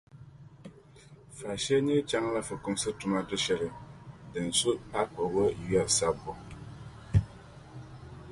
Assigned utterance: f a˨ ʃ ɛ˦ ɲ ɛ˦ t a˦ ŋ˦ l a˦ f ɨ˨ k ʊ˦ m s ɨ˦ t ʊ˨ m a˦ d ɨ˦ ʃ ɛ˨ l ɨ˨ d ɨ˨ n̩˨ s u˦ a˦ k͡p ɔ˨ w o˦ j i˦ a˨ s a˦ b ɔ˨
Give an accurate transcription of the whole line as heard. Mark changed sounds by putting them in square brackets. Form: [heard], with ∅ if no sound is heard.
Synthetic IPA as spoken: f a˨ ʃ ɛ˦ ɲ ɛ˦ [t͡ʃ] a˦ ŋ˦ l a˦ f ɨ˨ k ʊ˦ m s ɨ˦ t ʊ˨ m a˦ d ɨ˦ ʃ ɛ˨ l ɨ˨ d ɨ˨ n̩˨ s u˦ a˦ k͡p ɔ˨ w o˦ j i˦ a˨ s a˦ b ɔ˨